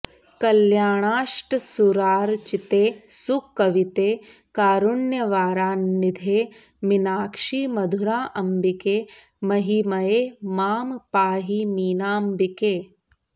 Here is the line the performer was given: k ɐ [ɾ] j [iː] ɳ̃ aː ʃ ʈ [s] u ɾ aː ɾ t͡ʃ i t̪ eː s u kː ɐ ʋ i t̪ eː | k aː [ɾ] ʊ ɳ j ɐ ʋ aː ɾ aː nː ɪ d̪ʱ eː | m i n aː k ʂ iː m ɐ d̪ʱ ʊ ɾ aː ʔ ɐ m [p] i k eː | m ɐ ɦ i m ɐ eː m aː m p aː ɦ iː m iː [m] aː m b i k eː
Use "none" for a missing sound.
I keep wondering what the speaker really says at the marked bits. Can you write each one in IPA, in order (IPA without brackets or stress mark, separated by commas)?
l, aː, s, ɾ, b, n